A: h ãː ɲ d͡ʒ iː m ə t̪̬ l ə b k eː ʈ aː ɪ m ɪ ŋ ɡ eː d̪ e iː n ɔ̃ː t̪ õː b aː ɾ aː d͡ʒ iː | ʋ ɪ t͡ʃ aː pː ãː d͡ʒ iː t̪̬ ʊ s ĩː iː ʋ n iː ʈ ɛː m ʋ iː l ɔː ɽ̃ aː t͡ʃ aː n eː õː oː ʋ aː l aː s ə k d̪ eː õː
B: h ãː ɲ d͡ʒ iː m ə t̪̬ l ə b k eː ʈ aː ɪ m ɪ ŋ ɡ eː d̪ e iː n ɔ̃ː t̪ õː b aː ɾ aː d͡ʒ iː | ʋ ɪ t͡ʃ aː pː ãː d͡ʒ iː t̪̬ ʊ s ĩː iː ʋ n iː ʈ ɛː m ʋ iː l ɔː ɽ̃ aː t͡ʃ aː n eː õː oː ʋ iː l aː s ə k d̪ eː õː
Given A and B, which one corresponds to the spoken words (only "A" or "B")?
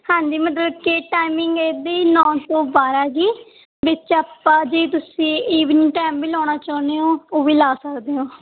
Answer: B